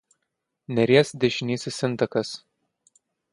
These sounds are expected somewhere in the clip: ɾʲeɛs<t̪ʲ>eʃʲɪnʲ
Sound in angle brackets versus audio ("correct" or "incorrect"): incorrect